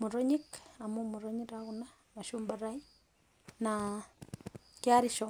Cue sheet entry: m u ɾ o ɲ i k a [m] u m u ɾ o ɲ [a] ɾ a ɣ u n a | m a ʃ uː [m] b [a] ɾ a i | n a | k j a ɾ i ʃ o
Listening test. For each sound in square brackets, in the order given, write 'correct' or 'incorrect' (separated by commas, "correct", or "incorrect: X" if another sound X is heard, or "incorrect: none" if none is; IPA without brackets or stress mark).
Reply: correct, incorrect: i, correct, correct